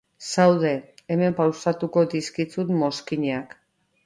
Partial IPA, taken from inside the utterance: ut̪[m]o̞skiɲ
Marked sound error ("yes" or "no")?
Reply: no